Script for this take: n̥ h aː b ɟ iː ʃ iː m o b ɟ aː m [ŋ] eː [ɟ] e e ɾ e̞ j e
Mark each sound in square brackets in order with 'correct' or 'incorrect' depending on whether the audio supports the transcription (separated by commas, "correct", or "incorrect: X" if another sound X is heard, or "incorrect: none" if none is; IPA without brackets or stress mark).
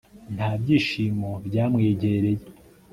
correct, correct